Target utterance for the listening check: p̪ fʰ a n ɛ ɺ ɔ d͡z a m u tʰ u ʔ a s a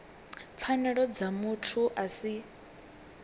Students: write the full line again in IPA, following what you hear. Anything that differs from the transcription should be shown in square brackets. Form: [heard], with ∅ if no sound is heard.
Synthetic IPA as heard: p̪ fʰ a n ɛ ɺ ɔ d͡z a m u tʰ u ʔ a s [i]